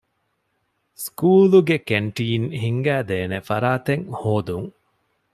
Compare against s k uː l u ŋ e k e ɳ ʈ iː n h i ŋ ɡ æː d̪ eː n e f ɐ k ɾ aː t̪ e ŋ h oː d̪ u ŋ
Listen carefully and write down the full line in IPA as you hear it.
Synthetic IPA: s k uː l u ɡ e k e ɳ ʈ iː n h i ŋ ɡ æː d̪ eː n e f ɐ ɾ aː t̪ e ŋ h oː d̪ u ŋ